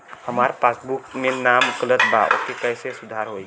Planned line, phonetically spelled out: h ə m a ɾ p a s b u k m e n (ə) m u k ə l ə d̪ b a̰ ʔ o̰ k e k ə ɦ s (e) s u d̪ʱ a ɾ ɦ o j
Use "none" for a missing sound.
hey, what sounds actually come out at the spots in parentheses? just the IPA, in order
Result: a, e

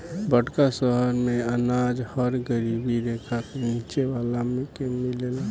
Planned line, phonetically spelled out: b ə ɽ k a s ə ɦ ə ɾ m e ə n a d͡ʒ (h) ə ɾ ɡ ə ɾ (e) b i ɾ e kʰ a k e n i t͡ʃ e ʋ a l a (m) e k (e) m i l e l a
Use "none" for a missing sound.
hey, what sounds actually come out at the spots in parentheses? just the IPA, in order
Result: h, i, m, e

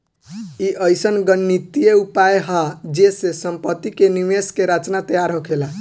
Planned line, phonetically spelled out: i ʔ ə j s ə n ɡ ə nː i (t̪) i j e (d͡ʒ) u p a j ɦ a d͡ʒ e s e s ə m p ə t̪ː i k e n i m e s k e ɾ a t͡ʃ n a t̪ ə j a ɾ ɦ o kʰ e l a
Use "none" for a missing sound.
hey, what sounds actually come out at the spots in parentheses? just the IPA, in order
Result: t̪, none

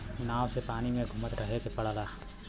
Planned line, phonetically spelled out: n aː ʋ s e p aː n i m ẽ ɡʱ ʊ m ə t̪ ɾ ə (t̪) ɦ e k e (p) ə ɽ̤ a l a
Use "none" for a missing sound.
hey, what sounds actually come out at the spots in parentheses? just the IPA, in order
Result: none, p

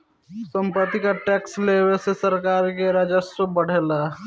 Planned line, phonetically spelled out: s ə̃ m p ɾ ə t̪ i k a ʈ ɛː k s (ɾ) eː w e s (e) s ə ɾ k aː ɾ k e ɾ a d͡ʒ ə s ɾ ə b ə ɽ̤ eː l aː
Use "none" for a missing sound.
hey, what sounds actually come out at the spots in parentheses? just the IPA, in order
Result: l, e

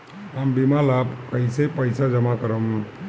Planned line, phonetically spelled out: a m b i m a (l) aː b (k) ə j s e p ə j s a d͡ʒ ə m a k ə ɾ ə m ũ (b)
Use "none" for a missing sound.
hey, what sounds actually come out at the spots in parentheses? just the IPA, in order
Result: l, k, none

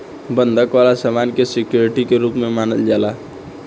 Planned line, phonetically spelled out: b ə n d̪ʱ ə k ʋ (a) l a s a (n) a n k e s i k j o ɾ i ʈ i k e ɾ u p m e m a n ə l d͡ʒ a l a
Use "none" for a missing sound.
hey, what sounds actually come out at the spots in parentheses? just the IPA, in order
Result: a, m

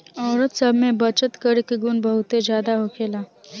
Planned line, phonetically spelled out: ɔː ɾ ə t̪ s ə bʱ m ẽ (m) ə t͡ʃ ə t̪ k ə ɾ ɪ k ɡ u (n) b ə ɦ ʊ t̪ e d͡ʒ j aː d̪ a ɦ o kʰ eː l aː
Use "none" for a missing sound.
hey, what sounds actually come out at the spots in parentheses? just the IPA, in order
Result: b, n

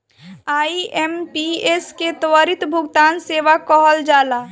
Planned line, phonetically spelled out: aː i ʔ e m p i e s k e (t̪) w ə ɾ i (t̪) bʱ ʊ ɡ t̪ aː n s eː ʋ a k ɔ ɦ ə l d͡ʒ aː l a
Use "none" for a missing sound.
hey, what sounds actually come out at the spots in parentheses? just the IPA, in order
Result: t̪, t̪

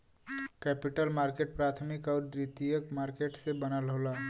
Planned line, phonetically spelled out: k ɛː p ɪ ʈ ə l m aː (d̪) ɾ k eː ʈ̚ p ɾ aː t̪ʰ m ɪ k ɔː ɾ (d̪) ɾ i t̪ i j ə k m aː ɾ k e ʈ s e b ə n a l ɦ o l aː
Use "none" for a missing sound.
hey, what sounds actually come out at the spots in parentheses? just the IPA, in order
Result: none, d̪

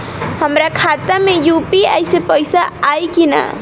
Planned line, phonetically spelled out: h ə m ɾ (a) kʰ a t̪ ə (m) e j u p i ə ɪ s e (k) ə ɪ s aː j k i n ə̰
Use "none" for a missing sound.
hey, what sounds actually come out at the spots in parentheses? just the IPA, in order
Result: a, m, p

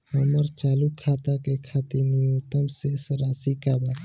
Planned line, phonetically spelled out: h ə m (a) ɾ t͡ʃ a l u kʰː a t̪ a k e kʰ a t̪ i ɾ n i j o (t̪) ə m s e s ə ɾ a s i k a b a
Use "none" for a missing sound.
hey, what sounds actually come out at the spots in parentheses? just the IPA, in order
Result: ə, t̪

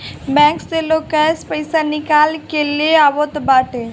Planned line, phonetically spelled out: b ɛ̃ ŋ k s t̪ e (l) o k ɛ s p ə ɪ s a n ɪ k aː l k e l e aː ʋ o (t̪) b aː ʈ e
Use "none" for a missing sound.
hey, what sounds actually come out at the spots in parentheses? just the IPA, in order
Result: l, t̪

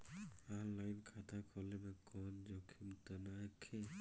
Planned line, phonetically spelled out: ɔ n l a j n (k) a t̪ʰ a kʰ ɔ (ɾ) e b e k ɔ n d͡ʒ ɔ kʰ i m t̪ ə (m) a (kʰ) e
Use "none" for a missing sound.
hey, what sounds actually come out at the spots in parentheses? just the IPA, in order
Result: kʰ, l, n, kʰ

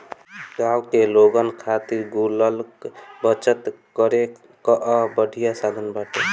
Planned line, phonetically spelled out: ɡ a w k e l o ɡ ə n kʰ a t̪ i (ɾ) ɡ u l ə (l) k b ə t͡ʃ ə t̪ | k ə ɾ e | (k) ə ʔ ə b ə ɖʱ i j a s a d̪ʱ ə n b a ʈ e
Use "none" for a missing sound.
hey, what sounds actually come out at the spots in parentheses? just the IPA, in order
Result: ɾ, l, k

